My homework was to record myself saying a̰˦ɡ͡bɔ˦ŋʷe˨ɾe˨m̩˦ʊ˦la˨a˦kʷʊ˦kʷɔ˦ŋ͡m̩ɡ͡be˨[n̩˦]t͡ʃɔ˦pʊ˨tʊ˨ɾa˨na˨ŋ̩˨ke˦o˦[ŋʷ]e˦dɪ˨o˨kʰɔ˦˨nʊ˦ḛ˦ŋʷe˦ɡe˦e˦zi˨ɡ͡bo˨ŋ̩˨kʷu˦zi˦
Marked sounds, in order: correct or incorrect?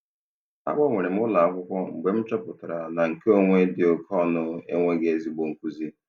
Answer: incorrect: m̩˦, correct

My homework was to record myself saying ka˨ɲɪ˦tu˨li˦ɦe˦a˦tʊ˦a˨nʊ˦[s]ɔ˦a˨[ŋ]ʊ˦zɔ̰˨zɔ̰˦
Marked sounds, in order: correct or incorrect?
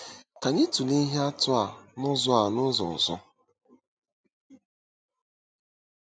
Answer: incorrect: z, incorrect: n

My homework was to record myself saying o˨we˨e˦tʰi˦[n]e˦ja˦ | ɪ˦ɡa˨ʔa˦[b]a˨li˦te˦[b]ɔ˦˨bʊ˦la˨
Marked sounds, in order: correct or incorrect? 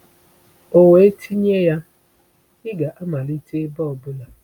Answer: incorrect: ɲ, incorrect: m, correct

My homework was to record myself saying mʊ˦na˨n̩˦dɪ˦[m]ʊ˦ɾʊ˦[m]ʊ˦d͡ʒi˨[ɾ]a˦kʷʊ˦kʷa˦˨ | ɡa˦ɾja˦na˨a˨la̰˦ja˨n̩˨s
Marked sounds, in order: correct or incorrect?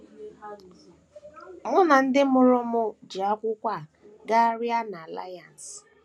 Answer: correct, correct, incorrect: none

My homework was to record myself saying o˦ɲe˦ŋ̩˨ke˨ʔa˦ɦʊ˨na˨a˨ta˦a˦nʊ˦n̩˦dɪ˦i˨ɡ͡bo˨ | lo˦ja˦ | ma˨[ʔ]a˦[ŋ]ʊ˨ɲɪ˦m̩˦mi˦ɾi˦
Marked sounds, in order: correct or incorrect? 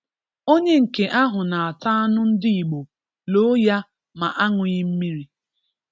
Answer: correct, correct

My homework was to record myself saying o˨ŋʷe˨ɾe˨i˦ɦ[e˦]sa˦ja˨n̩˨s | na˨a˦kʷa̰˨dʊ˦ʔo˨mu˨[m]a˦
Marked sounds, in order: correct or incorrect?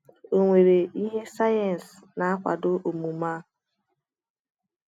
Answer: correct, correct

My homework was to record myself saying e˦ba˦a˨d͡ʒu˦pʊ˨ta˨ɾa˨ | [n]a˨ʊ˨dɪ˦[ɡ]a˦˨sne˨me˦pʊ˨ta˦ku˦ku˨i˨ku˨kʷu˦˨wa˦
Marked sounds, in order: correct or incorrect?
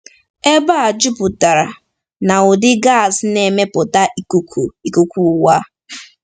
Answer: correct, correct

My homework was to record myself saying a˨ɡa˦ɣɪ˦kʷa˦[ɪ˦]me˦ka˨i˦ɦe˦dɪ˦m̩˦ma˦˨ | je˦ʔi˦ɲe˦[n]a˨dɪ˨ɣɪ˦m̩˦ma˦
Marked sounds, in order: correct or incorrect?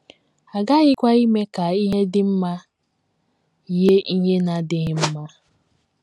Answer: incorrect: i˦, correct

